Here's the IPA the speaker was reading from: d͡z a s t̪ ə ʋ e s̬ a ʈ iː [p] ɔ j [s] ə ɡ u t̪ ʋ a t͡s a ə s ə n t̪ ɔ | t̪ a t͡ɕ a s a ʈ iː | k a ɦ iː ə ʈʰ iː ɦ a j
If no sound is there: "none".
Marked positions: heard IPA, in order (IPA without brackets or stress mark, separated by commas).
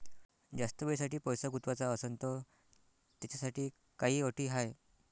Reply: p, s